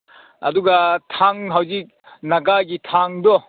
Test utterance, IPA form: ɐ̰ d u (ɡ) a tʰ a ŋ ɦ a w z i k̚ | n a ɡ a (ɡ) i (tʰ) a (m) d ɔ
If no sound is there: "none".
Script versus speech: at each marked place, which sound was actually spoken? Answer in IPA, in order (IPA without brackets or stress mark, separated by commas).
ɡ, ɡ, tʰ, ŋ